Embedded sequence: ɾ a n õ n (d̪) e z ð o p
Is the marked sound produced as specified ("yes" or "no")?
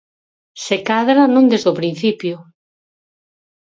yes